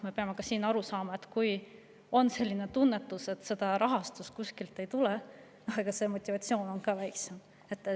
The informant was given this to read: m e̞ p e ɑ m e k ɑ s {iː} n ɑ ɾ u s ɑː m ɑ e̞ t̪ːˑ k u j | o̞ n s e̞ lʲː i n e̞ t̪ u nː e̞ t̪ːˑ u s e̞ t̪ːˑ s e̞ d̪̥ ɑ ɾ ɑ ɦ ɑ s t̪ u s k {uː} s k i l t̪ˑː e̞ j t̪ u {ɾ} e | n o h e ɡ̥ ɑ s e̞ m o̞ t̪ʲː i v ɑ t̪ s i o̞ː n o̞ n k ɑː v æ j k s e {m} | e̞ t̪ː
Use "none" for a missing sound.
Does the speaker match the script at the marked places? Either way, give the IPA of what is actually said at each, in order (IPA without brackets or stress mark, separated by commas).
iː, u, l, m